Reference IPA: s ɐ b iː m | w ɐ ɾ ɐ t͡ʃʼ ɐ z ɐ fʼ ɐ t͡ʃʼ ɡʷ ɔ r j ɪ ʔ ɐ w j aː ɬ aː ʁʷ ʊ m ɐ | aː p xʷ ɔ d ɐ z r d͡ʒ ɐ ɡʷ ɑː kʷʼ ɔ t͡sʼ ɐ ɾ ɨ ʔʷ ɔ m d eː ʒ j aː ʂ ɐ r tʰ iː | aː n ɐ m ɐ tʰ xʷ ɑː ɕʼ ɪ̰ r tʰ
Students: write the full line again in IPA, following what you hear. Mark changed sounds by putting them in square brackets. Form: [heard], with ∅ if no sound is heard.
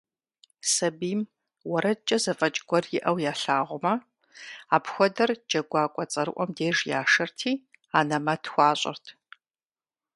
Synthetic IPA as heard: s ɐ b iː m | w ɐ ɾ ɐ t͡ʃʼ ɐ z ɐ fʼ ɐ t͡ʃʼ ɡʷ ɔ r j ɪ ʔ ɐ w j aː ɬ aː ʁʷ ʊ m ɐ | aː p xʷ ɔ d ɐ [∅] r d͡ʒ ɐ ɡʷ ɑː kʷʼ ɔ t͡sʼ ɐ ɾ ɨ ʔʷ ɔ m d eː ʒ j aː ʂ ɐ r tʰ iː | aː n ɐ m ɐ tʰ xʷ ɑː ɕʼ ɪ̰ r tʰ